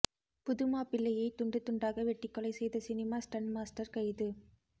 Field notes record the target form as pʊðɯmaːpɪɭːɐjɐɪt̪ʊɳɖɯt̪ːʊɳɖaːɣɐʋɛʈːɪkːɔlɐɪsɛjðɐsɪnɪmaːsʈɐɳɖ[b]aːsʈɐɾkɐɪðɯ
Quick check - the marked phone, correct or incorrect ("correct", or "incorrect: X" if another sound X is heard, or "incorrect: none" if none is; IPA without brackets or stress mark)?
incorrect: m